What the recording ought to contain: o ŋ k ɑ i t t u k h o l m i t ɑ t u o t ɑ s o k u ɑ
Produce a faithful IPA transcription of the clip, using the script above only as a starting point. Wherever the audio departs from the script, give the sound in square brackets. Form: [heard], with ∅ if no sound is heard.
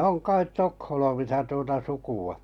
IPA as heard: o ŋ k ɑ i t t [o] k h o l m i [s] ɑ t u o t ɑ s [u] k u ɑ